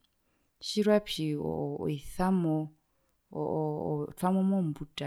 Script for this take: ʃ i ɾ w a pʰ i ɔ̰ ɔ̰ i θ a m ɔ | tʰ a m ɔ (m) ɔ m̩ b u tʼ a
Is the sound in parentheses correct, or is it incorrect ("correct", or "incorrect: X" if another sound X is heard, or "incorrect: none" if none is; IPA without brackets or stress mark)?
correct